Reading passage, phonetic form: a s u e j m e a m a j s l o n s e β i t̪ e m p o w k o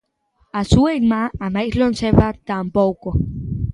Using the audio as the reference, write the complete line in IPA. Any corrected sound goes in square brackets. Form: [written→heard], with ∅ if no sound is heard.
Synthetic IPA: a s u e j m [e→a] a m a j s l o n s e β [i→a] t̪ [e→a] m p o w k o